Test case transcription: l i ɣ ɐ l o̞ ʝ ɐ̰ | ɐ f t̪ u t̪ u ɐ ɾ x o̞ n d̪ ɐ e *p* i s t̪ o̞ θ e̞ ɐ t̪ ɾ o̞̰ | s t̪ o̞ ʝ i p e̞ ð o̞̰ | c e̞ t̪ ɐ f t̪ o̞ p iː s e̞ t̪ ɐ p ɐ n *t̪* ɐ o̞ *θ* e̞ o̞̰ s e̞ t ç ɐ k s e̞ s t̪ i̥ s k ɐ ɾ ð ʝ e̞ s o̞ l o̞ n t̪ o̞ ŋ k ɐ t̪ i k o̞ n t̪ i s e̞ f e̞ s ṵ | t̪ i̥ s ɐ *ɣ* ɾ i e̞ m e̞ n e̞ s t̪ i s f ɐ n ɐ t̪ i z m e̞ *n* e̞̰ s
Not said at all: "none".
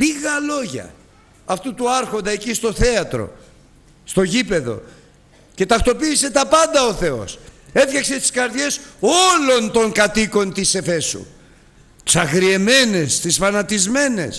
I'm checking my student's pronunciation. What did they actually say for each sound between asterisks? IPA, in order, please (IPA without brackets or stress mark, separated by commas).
c, d̪, θ, ɣ, n